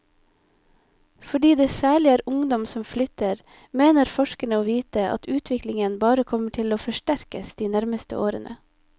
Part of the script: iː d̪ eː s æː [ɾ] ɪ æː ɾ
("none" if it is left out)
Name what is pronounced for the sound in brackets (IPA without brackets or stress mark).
ɭ